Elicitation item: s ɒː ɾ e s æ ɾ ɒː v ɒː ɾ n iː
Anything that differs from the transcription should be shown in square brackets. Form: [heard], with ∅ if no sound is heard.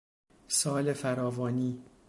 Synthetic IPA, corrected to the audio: s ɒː [l] e [f] æ ɾ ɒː v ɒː [∅] n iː